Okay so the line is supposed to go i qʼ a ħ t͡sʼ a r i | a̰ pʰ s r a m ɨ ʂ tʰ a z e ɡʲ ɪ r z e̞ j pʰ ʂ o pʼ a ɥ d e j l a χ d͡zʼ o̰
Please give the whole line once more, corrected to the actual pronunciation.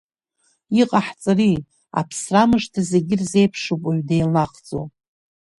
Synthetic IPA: i qʼ a ħ t͡sʼ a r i | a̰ pʰ s r a m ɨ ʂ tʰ a z e ɡʲ ɪ r z e̞ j pʰ ʂ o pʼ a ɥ d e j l a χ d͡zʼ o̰